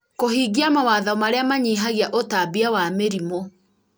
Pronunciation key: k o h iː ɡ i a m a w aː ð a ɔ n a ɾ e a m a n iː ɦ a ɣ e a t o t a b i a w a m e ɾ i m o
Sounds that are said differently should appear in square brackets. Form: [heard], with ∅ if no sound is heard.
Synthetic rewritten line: k o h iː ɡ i a m a w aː ð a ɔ [m] a ɾ e a m a [ɲ] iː ɦ a ɣ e a [ʔ] o t a b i a w a m e ɾ i m o